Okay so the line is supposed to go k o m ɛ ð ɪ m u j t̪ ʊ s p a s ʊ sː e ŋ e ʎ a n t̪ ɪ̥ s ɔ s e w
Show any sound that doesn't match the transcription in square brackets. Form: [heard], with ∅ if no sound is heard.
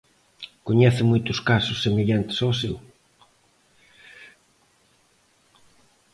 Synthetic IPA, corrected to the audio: k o [ɲ] ɛ [θ] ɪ m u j t̪ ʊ s [k] a s ʊ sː e [m] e ʎ a n t̪ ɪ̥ s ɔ s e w